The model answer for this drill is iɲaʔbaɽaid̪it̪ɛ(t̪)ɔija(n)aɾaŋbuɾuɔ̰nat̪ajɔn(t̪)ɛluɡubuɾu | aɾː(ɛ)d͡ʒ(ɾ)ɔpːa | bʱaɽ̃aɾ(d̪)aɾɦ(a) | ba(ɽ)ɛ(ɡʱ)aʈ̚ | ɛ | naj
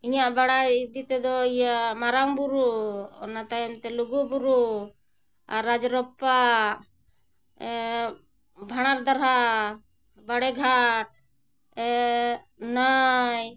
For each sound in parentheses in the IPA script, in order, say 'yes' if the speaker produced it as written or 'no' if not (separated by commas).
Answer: no, no, yes, no, yes, yes, yes, yes, yes